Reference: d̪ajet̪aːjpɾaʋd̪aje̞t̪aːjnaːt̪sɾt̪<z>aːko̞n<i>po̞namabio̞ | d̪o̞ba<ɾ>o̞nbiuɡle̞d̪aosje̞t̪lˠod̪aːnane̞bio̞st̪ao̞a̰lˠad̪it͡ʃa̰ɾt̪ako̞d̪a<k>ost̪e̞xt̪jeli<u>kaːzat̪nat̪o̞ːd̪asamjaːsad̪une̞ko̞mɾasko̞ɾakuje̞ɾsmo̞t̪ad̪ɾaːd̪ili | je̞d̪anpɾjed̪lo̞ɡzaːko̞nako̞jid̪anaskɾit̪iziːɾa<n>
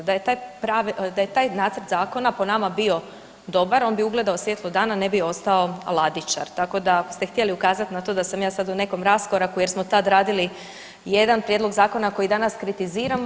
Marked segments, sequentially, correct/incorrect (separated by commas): correct, incorrect, correct, correct, correct, incorrect